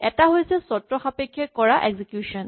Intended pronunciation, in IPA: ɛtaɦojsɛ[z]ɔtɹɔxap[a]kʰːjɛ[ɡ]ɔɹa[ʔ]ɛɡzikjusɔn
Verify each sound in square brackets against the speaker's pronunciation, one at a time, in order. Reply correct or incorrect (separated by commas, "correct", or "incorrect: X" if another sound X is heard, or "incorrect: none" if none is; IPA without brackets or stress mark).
incorrect: s, incorrect: e, incorrect: k, correct